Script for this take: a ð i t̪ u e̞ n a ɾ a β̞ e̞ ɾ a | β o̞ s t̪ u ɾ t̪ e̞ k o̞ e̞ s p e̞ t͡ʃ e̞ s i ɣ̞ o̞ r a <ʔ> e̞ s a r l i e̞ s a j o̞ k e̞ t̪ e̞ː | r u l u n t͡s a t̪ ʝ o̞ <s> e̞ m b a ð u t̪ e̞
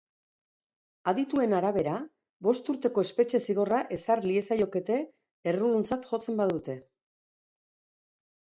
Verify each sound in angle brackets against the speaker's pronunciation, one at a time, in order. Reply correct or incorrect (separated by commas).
correct, incorrect